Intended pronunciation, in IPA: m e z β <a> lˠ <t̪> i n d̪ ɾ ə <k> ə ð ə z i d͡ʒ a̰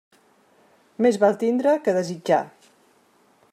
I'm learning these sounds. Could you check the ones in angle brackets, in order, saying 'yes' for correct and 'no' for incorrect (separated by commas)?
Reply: yes, yes, yes